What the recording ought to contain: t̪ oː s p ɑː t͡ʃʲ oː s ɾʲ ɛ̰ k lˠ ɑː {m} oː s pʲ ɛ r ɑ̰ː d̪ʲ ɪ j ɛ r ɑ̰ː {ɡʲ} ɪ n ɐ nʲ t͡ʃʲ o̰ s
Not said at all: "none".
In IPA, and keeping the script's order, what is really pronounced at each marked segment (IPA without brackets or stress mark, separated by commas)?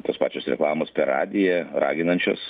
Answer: m, ɡʲ